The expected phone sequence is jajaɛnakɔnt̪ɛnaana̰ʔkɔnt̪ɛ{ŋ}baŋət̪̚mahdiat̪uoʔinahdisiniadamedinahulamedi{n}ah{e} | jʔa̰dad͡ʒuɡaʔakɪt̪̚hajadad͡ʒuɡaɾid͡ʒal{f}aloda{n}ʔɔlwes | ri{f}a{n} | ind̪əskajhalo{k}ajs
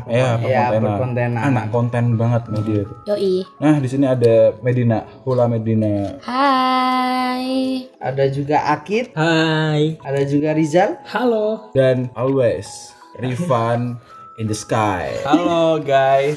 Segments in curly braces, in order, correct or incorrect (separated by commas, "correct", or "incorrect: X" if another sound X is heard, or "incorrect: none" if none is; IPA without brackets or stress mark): incorrect: n, correct, incorrect: a, incorrect: h, correct, correct, correct, incorrect: ɡ